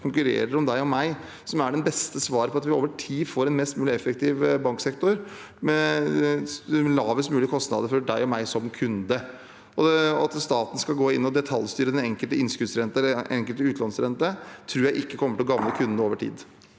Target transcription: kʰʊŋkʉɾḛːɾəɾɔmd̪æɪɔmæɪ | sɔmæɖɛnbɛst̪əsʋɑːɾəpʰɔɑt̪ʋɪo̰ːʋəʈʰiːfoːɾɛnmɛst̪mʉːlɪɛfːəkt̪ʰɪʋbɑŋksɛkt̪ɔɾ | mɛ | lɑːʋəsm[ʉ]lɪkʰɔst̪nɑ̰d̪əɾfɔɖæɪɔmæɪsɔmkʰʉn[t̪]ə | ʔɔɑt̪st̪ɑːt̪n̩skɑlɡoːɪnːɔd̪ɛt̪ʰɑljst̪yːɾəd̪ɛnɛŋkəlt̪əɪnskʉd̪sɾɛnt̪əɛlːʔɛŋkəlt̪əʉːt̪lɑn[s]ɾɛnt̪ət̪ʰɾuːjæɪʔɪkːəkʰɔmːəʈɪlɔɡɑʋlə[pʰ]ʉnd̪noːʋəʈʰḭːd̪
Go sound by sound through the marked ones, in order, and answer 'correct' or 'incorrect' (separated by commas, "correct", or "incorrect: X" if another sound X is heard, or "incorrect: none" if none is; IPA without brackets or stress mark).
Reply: incorrect: ʉː, incorrect: d̪, correct, incorrect: kʰ